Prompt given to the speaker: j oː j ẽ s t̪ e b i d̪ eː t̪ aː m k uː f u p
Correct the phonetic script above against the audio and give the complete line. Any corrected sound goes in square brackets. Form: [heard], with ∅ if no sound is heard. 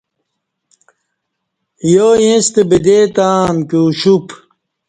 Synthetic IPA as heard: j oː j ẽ s t̪ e b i d̪ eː t̪ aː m k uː [ɕ] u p